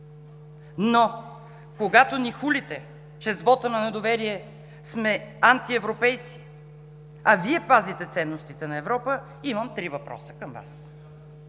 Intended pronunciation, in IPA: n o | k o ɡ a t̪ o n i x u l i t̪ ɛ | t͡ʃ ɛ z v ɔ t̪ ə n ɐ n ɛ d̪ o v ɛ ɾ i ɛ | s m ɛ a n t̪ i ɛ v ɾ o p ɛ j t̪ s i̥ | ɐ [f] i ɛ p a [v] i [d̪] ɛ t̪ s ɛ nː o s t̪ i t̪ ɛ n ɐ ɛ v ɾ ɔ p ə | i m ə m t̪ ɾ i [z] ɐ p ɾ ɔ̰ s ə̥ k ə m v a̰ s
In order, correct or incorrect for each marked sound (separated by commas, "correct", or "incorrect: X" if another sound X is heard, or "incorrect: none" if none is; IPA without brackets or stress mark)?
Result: incorrect: v, incorrect: z, incorrect: t̪, incorrect: v